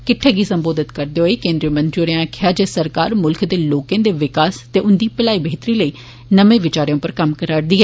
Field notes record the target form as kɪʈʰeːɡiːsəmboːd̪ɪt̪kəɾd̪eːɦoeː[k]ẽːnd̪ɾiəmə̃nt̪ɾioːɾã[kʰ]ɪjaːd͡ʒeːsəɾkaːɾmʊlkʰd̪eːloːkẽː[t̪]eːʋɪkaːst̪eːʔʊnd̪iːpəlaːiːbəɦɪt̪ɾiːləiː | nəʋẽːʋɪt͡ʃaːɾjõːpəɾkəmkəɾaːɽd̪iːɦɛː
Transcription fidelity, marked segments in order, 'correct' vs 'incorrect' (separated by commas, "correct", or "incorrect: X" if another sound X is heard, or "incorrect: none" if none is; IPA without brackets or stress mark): correct, correct, incorrect: d̪